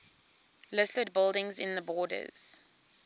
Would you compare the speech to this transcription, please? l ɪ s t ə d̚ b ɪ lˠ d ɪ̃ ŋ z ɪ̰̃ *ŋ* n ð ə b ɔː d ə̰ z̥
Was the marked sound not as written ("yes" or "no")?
yes